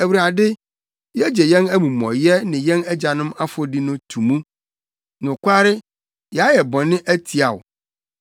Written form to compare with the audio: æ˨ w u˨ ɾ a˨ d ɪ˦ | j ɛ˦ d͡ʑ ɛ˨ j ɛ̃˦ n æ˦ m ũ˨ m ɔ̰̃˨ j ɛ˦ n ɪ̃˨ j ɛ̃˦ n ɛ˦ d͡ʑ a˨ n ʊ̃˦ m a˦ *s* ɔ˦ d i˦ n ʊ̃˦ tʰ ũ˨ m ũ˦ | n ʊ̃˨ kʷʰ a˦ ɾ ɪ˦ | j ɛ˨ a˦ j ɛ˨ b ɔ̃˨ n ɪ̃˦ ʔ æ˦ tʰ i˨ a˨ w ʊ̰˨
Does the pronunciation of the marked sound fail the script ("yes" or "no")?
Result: yes